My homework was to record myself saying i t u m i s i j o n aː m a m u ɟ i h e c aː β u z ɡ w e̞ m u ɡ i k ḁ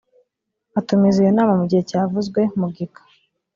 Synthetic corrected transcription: a t u m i z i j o n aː m a m u ɟ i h e c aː v u z ɡ w e̞ m u ɡ i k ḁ